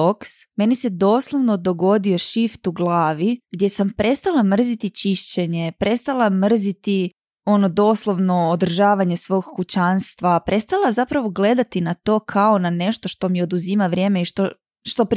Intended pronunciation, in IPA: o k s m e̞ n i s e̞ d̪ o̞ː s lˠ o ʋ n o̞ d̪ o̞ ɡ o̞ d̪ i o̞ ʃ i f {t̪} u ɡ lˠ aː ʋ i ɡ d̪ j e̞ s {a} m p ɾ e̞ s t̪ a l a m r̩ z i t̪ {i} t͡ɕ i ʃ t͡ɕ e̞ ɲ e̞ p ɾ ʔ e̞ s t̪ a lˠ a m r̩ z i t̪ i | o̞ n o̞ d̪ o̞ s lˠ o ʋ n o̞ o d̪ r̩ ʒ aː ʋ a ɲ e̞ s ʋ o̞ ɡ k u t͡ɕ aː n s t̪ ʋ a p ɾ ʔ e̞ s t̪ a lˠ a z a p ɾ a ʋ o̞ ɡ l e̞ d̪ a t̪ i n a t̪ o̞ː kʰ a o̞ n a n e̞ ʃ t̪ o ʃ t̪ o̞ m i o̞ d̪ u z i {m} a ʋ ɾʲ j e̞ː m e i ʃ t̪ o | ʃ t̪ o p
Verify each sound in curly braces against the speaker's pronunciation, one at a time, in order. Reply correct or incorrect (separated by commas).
correct, correct, correct, correct